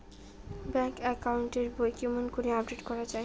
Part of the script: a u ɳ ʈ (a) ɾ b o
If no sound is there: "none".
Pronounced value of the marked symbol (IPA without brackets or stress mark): e